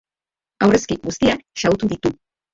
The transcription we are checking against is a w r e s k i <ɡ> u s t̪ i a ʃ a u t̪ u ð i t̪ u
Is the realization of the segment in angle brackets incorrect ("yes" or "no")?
no